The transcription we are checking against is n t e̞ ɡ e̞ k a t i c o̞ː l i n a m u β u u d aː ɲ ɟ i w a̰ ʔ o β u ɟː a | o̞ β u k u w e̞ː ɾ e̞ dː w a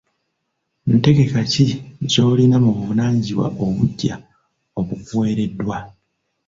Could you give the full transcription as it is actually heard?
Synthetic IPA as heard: n t e̞ ɡ e̞ k a c i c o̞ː l i n a m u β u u n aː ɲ ɟ i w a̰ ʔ o β u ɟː a | o̞ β u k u w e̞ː ɾ e̞ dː w a